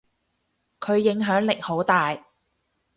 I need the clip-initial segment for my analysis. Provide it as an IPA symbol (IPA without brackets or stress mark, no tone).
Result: kʰ